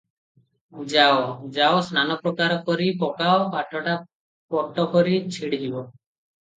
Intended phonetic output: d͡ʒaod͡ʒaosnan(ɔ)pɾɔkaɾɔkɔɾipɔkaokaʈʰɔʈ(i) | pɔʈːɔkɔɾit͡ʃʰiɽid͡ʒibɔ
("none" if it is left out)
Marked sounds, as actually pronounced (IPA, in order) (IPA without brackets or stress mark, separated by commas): ɔ, a